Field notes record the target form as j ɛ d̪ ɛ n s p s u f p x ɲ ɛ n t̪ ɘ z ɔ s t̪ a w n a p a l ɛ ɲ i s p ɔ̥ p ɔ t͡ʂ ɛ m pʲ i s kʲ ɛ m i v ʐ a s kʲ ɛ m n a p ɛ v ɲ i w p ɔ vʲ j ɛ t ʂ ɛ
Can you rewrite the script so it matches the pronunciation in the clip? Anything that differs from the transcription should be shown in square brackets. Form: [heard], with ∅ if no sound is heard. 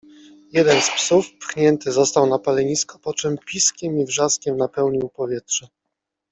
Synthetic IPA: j ɛ d̪ ɛ n s p s u f p x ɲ ɛ n t̪ ɘ z ɔ s t̪ a w n a p a l ɛ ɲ i s [k] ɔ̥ p ɔ t͡ʂ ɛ m pʲ i s kʲ ɛ m i v ʐ a s kʲ ɛ m n a p ɛ [w] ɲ i w p ɔ vʲ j ɛ t ʂ ɛ